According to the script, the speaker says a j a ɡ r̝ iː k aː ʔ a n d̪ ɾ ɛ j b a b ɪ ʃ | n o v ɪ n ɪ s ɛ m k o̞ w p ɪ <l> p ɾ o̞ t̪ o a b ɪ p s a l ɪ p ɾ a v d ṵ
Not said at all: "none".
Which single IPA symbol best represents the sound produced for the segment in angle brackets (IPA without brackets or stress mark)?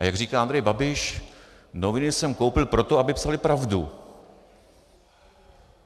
l